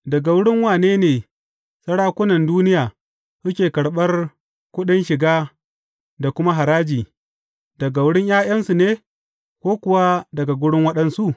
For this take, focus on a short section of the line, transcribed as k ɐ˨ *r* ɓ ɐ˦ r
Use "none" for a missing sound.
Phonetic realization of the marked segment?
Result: ɽ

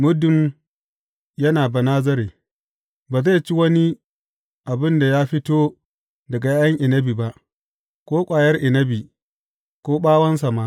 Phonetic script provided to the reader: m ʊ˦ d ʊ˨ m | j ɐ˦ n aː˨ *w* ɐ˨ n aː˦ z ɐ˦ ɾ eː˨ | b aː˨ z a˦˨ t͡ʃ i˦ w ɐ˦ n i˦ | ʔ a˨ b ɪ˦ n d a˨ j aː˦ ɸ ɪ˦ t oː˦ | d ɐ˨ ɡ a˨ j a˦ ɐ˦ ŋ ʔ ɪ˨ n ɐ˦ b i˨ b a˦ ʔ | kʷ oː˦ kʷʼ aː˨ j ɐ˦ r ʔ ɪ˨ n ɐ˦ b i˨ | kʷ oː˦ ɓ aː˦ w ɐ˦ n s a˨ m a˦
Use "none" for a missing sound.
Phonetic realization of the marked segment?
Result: b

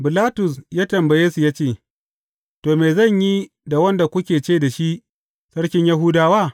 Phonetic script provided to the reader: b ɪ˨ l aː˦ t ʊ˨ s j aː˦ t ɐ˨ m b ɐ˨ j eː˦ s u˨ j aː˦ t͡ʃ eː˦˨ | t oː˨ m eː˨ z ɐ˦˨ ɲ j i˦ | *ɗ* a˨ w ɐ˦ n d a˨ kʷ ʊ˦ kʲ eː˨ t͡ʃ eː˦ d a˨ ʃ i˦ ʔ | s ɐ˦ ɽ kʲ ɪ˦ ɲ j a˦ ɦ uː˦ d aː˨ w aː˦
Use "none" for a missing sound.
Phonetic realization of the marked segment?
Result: d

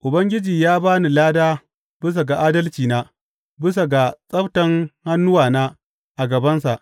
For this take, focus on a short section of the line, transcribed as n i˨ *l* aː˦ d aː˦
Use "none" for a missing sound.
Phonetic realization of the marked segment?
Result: l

